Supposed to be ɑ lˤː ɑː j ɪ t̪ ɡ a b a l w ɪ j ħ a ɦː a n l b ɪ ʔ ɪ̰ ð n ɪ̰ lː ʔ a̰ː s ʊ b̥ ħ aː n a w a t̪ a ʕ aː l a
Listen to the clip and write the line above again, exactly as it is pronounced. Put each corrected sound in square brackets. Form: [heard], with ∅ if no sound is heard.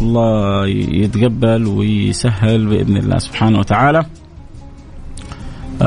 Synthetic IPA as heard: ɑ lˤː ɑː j ɪ t̪ ɡ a [bː] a l w ɪ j [s] a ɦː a [∅] l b ɪ ʔ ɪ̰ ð n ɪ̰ lː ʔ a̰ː s ʊ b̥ ħ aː n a w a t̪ a ʕ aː l a